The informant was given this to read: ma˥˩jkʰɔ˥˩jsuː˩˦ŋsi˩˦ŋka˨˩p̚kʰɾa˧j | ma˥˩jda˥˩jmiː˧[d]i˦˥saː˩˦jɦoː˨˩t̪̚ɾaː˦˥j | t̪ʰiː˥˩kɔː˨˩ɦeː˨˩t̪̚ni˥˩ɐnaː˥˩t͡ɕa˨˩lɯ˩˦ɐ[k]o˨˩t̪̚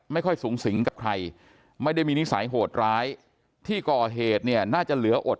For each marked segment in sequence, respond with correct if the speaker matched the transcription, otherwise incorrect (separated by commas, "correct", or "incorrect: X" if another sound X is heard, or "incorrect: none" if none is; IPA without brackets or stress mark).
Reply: incorrect: n, incorrect: ʔ